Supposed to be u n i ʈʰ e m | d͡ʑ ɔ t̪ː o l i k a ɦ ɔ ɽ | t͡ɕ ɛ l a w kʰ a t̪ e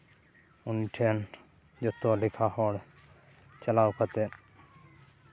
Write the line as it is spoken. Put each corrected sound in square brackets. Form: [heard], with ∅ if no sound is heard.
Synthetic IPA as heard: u n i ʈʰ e [n] | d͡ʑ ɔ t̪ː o l i [kʰ] a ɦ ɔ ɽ | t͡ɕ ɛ l a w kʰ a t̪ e